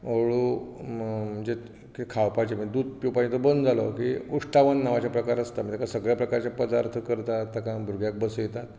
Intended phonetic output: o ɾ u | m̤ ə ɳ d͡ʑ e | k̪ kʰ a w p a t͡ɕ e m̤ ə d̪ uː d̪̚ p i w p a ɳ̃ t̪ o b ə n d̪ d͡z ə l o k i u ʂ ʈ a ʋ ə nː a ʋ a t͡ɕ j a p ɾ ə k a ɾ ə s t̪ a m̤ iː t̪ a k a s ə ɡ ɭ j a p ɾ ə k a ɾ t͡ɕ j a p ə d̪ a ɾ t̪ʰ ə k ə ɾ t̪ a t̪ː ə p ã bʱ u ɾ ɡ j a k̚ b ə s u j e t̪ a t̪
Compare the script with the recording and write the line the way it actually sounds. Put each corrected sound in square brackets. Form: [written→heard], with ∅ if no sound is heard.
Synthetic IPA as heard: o [ɾ→ɭ] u | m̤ ə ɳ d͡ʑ e | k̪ kʰ a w p a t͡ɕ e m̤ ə d̪ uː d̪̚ p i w p a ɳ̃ t̪ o b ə n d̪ d͡z [ə→a] l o k i u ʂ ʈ a ʋ ə nː a ʋ a t͡ɕ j a p ɾ ə k a ɾ ə s t̪ a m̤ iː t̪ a k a s ə ɡ ɭ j a p ɾ ə k a ɾ t͡ɕ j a p ə d̪ a ɾ t̪ʰ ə k ə ɾ t̪ a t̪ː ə [p→k] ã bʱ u ɾ ɡ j a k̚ b ə s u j e t̪ a t̪